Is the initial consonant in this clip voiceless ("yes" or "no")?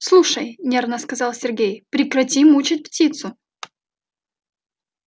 yes